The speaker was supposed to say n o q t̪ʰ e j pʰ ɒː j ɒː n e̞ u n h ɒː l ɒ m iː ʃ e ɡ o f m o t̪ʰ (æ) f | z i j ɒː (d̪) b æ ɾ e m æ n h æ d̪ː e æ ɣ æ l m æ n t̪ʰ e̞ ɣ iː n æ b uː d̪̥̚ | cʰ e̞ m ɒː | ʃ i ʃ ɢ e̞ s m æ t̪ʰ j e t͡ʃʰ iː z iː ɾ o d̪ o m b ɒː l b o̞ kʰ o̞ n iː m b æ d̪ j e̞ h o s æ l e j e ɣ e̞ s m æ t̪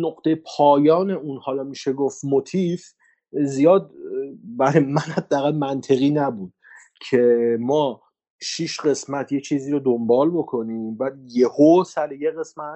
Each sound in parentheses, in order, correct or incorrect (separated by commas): incorrect, correct